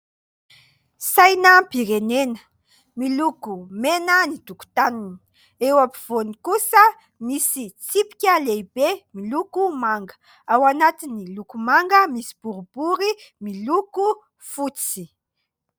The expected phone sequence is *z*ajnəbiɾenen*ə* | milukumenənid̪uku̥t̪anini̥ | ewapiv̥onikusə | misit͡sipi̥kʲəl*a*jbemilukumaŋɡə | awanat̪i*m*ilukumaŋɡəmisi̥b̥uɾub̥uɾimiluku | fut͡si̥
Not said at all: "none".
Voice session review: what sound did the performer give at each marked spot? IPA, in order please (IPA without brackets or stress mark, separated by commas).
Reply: s, ə, e, n